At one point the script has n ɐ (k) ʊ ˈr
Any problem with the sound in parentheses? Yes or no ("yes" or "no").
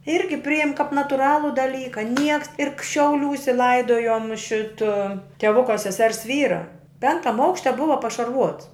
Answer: yes